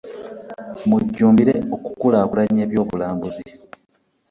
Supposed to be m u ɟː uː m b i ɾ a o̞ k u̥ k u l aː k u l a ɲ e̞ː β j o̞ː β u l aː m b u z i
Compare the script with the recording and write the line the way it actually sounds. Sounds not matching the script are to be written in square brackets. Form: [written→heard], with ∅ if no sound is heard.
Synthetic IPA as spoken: m u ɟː uː m b i ɾ [a→e] o̞ k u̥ k u l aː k u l a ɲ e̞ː β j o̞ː β u l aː m b u z i